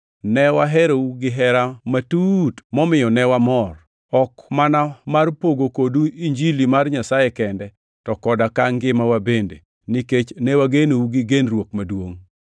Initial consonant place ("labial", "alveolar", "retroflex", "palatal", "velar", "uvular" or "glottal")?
alveolar